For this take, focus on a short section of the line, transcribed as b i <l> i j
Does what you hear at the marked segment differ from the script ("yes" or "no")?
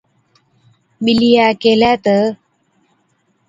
no